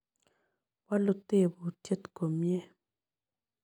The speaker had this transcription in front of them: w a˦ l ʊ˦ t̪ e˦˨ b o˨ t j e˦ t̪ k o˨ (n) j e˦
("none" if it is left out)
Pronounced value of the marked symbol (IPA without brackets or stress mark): m